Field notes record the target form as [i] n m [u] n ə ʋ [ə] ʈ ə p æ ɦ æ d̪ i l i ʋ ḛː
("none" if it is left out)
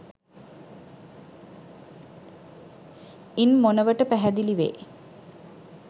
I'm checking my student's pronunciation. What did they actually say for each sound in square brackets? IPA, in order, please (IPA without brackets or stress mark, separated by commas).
i, o, ə